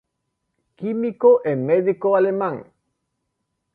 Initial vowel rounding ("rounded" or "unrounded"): unrounded